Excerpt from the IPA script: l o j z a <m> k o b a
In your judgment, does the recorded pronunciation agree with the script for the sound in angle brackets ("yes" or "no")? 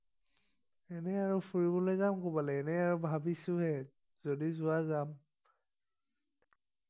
yes